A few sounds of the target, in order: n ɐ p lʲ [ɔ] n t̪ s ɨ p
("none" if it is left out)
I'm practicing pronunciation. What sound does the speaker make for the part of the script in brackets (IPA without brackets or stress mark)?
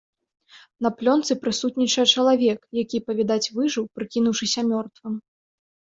ɔ